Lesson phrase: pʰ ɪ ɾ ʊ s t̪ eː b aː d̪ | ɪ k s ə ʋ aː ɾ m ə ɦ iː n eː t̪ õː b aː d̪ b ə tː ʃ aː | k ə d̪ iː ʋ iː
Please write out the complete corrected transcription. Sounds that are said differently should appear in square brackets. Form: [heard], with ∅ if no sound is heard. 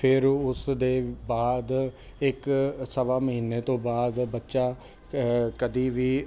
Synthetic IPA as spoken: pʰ ɪ ɾ ʊ s [d̪] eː b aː d̪ | ɪ k s ə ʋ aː [∅] m ə ɦ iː n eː t̪ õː b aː d̪ b ə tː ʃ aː | k ə d̪ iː ʋ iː